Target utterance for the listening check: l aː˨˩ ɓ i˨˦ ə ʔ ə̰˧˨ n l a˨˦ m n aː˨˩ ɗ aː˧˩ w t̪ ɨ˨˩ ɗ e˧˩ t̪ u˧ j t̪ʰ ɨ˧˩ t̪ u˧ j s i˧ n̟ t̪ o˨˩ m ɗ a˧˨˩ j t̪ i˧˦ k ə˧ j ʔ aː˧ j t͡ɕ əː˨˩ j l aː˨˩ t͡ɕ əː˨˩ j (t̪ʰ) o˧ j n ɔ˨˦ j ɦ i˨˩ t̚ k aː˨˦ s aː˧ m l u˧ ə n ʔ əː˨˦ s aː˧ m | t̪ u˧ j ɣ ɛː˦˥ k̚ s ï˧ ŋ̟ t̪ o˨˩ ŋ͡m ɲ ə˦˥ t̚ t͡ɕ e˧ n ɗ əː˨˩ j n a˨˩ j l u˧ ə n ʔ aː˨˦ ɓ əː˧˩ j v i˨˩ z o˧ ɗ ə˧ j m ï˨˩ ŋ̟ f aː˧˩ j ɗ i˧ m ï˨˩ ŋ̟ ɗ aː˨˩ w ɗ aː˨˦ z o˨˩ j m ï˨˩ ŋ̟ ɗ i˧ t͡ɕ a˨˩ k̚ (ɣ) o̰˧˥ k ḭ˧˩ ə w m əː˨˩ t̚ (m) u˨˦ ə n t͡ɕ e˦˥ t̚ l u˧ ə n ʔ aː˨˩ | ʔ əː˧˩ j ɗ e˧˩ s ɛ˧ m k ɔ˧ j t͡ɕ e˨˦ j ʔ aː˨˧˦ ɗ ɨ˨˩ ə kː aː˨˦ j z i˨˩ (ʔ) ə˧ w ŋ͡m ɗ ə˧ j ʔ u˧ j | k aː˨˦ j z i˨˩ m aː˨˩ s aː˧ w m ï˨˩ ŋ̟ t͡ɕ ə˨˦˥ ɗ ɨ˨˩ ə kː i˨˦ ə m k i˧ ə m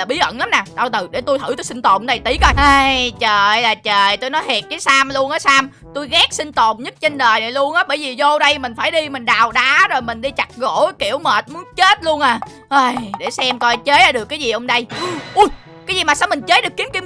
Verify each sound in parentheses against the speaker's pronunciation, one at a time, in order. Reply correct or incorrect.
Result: incorrect: t̪, correct, correct, correct

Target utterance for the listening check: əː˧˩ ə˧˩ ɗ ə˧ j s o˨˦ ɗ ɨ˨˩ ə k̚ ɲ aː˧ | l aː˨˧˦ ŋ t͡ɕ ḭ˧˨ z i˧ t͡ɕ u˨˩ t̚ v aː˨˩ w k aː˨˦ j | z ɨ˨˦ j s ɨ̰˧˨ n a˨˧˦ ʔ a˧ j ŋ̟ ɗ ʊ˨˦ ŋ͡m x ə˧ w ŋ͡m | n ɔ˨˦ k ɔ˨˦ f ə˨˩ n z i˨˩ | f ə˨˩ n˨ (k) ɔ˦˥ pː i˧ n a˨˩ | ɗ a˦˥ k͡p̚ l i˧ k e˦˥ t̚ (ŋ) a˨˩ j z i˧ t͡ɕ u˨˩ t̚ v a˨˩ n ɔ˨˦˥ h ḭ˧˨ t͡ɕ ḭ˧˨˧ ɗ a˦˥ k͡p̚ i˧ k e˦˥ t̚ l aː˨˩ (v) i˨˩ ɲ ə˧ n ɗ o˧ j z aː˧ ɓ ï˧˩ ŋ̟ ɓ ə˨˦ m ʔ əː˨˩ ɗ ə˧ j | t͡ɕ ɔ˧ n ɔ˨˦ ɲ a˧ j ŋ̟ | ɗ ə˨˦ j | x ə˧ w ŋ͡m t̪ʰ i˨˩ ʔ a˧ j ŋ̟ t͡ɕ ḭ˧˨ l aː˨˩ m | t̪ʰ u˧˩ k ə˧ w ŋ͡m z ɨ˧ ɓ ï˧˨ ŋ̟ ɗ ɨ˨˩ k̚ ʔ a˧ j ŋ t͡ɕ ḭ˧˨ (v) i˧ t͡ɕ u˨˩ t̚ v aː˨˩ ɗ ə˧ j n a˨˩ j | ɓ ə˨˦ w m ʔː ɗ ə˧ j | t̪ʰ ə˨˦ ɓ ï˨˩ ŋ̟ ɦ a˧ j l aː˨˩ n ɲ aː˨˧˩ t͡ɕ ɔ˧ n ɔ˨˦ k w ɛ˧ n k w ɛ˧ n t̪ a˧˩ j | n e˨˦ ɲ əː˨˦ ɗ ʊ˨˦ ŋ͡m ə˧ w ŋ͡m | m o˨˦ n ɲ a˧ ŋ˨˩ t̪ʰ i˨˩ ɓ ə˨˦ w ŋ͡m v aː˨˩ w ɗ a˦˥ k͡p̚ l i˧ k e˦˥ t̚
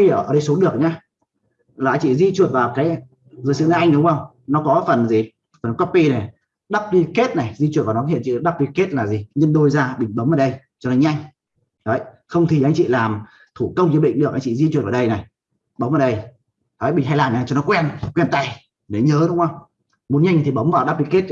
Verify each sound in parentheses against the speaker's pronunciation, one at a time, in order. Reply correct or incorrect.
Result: correct, incorrect: n, incorrect: z, incorrect: z

